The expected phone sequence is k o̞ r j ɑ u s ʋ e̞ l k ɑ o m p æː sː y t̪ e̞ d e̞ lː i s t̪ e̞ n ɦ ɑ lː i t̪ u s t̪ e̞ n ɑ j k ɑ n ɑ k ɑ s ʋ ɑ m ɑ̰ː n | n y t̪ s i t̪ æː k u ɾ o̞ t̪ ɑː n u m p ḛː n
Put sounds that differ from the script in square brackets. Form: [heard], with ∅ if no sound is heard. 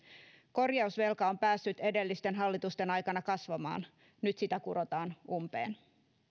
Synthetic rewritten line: k o̞ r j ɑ u s ʋ e̞ l k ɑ o m p æː sː y t̪ e̞ d e̞ lː i s t̪ e̞ n ɦ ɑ lː i t̪ u s t̪ e̞ n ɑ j k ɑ n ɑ k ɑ s ʋ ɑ m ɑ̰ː n | n y t̪ s i t̪ [æ] k u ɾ o̞ t̪ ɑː n u m p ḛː n